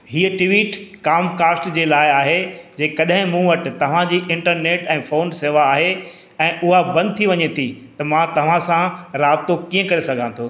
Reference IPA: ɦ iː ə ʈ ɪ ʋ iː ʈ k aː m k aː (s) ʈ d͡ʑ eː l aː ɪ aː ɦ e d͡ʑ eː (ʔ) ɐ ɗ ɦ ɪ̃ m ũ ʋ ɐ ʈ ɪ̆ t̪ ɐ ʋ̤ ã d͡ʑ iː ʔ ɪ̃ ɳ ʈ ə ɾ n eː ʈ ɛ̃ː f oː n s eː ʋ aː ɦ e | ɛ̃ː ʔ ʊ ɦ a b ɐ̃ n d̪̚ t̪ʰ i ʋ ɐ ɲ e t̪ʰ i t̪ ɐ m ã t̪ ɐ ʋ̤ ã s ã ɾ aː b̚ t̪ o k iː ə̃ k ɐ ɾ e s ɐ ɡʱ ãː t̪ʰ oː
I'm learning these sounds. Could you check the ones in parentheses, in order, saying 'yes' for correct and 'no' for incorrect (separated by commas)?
yes, no